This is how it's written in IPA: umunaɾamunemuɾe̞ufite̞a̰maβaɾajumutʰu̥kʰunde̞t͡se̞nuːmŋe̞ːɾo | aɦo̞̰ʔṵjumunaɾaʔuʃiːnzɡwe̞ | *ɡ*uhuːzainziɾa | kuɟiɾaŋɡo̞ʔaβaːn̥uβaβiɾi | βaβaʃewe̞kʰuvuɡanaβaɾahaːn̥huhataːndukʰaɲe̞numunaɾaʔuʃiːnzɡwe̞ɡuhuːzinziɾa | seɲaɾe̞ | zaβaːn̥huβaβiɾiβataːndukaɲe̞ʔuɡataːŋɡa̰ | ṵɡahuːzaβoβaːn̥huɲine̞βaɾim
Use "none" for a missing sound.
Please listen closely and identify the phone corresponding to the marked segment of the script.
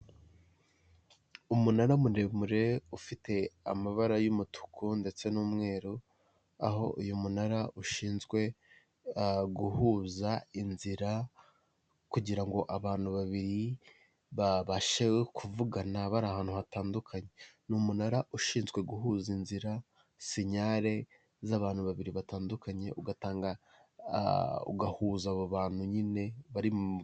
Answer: ɡ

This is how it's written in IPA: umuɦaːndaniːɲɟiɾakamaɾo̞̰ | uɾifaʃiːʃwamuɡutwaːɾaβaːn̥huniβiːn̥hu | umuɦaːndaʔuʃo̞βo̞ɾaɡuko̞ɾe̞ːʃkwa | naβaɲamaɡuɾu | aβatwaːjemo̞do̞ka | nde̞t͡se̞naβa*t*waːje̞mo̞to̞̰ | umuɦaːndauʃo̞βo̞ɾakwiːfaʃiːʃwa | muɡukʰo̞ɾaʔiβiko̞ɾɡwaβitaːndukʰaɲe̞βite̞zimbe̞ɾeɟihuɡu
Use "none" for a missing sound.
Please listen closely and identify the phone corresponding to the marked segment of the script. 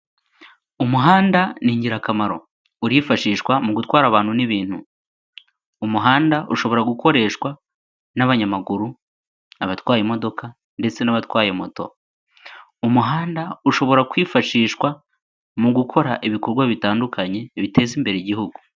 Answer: t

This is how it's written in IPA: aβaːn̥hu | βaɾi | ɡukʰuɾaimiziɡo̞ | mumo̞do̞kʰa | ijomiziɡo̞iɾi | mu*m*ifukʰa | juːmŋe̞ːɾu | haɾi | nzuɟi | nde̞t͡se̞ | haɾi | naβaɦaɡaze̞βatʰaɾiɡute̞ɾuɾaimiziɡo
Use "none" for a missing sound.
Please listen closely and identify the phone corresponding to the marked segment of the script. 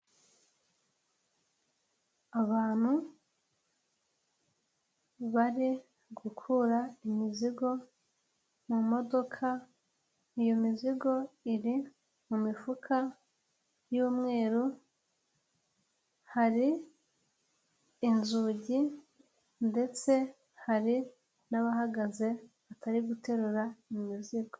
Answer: m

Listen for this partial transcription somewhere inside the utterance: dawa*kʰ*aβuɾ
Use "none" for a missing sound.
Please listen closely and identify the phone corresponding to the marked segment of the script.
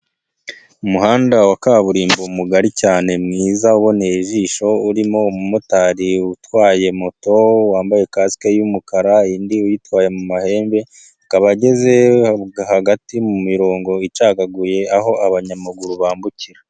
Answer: k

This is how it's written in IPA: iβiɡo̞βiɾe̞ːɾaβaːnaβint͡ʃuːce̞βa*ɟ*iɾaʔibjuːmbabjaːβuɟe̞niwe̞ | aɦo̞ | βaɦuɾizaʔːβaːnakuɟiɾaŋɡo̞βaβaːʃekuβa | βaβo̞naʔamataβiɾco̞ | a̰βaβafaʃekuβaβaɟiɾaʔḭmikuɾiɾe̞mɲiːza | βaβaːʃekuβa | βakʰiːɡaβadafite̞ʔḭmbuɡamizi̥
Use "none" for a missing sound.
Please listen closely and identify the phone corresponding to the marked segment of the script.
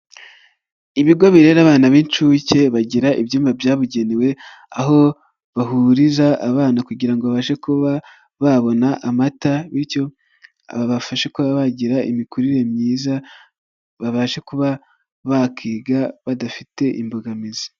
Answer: ɟ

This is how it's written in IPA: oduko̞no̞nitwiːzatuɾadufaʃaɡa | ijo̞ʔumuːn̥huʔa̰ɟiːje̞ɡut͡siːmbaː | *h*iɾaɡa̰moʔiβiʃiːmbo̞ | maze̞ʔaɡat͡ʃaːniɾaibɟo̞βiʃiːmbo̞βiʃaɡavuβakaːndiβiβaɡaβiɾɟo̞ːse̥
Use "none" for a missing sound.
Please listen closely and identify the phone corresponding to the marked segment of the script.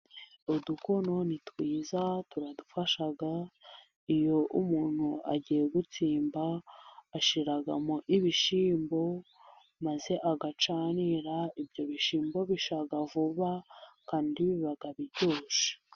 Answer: ʃ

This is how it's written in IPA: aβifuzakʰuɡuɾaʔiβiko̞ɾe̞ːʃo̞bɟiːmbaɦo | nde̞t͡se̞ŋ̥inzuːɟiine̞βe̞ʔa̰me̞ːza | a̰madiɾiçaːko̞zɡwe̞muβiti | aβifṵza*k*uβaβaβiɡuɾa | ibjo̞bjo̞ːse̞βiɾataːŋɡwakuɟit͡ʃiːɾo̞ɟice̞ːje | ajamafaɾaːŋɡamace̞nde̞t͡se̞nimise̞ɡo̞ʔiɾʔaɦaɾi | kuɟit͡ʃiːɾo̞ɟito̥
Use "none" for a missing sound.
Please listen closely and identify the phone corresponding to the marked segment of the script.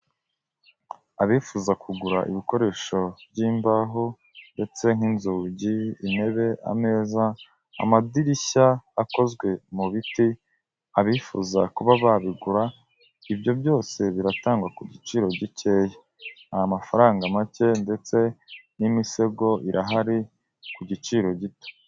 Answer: k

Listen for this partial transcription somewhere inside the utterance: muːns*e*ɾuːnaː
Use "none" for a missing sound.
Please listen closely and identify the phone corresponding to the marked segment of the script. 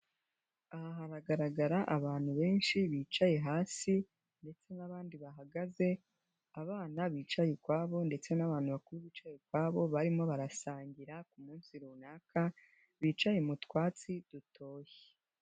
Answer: i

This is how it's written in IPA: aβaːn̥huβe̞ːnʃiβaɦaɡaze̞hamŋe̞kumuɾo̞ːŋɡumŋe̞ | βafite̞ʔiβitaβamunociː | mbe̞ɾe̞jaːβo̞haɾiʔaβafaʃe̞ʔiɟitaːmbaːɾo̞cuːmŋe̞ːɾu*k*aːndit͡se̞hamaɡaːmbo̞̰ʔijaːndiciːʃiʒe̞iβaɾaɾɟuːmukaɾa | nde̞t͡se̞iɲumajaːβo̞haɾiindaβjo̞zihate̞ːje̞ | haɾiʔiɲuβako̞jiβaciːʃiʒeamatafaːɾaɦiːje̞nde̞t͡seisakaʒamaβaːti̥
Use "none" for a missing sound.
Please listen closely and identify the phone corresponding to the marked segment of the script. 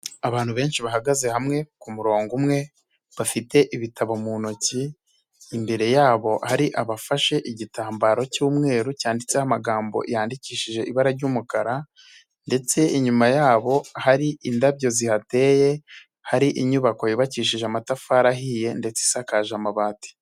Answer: c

